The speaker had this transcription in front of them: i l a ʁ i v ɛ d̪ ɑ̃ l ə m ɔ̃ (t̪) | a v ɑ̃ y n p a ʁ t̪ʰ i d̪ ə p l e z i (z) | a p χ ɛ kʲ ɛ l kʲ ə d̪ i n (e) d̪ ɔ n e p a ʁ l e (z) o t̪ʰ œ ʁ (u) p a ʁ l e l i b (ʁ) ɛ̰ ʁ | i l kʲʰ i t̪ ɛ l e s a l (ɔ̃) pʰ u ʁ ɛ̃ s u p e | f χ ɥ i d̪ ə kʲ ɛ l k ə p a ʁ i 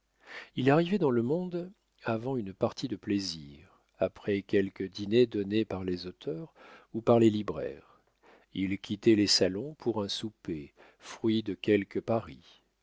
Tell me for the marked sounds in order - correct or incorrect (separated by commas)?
incorrect, incorrect, correct, correct, correct, correct, correct